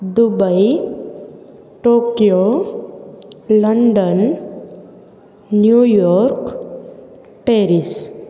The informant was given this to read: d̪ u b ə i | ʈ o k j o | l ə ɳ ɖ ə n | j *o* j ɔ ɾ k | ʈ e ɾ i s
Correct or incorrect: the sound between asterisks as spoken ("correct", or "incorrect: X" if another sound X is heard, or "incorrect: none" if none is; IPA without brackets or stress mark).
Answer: incorrect: u